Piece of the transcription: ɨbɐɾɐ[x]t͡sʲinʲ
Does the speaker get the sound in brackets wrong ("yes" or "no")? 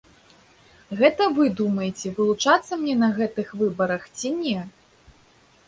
no